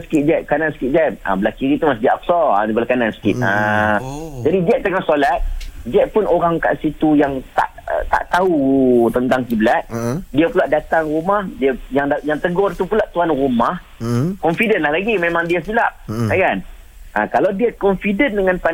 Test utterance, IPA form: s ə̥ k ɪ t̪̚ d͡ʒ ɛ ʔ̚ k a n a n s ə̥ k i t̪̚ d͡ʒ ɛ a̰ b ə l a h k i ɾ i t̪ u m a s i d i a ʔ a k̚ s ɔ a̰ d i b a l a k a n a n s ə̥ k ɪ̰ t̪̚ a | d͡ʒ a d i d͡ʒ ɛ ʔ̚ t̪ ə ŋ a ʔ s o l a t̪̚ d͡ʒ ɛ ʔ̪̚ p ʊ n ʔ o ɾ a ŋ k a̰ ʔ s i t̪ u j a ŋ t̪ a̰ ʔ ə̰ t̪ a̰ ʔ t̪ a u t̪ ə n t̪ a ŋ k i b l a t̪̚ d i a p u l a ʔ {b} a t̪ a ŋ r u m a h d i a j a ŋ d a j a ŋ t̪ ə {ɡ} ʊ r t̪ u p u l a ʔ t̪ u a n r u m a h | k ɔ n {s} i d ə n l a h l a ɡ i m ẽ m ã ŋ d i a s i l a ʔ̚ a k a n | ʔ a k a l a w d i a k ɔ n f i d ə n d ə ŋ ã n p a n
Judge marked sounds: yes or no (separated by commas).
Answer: no, yes, no